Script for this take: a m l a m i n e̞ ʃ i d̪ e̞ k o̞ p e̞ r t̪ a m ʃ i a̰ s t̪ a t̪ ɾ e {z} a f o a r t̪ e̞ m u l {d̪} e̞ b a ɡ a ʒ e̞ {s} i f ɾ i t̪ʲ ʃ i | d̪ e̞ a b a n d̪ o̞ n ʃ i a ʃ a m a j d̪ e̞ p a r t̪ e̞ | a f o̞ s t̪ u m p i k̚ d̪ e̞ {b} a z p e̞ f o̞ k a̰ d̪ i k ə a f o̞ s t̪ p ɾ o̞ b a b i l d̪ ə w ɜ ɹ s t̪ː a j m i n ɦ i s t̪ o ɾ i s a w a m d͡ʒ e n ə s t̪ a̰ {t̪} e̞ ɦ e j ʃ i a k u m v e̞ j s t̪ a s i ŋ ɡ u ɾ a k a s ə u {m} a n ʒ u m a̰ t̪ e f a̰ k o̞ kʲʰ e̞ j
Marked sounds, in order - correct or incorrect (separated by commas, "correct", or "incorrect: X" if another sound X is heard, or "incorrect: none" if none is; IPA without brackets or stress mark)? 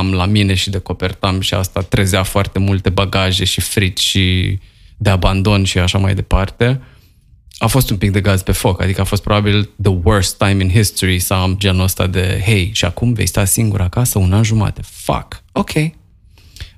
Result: correct, incorrect: t̪, incorrect: ʃ, incorrect: ɡ, incorrect: d̪, incorrect: n